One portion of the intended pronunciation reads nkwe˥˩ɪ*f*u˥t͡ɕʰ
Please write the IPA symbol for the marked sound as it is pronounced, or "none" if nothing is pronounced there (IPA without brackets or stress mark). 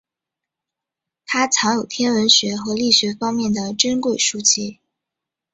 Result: ʂ